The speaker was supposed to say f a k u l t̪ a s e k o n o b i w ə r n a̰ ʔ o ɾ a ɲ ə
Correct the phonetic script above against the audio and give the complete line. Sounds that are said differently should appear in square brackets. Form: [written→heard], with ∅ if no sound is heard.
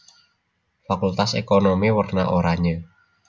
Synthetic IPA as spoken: f a k u l t̪ a s e k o n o [b→m] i w ə r n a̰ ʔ o ɾ a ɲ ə